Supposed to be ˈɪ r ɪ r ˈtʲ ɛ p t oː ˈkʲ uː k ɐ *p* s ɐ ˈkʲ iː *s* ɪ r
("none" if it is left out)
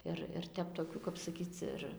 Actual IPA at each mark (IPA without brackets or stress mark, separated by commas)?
p, t͡s